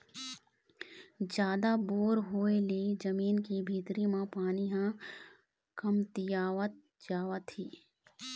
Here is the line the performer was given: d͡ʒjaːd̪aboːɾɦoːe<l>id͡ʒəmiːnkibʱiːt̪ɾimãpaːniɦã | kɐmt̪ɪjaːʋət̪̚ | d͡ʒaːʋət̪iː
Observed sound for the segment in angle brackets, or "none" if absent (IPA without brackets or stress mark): l